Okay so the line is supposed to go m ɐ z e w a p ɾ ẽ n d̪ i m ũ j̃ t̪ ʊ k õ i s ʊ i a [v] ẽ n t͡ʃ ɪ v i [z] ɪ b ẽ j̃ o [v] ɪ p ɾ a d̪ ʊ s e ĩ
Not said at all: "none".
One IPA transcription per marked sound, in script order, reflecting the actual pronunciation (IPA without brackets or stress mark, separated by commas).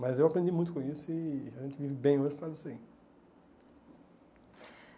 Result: ʒ, v, ʒ